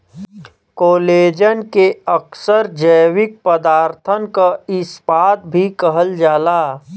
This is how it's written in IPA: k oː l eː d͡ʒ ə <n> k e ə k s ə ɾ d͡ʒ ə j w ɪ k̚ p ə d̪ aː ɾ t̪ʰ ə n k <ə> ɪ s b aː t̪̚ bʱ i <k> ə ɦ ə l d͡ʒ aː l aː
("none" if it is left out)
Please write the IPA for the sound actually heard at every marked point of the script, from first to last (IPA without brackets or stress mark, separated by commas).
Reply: n, a, k